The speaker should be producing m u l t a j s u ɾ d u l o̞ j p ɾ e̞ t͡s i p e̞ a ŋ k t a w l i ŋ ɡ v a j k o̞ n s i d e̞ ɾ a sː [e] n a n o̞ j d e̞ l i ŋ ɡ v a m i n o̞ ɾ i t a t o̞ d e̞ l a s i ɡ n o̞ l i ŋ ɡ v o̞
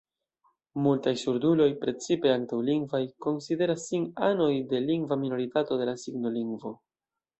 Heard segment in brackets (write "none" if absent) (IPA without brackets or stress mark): i